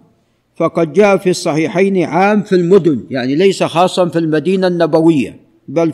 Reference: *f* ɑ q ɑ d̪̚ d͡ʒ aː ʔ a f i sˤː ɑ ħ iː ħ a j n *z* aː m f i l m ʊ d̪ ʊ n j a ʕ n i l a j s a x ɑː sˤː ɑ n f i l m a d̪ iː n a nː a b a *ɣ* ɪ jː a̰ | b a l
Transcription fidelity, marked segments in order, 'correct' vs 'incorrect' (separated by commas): correct, incorrect, incorrect